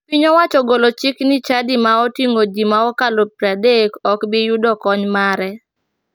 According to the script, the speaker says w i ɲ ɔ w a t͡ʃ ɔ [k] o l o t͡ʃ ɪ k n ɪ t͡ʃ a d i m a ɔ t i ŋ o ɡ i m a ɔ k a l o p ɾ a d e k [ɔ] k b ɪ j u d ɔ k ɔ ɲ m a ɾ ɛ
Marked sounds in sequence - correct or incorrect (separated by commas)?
incorrect, correct